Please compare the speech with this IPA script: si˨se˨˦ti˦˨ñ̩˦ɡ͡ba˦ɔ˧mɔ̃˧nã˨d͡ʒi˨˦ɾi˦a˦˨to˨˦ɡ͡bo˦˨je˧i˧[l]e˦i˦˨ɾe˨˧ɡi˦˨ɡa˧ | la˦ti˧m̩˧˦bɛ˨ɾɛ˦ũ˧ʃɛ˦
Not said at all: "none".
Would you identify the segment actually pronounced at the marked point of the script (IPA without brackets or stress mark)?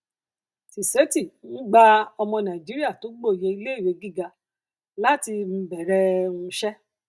l